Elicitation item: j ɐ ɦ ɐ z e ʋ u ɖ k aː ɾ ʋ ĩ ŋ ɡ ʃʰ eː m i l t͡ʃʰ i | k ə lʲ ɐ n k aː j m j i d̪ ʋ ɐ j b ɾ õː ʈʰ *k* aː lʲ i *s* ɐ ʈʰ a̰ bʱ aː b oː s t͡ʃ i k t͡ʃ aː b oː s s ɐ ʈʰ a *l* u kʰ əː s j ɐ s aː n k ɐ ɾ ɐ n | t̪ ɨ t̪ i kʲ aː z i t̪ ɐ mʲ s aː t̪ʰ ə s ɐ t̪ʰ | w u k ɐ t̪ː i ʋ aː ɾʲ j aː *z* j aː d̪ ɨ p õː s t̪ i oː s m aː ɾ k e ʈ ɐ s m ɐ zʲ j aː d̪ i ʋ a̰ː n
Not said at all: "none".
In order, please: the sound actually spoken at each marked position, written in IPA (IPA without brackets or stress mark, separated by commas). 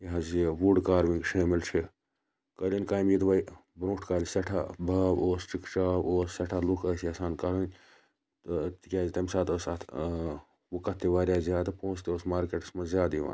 k, s, l, z